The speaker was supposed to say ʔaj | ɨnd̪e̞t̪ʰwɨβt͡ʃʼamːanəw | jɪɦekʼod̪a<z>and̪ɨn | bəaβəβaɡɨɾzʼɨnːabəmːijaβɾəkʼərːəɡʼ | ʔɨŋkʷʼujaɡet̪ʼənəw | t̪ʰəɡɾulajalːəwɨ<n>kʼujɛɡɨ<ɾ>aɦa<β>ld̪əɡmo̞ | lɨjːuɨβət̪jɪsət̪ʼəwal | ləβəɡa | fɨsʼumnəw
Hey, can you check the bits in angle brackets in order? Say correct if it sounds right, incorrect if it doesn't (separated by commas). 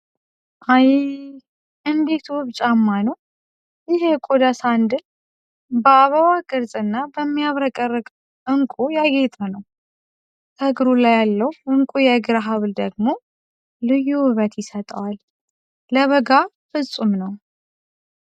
incorrect, incorrect, correct, correct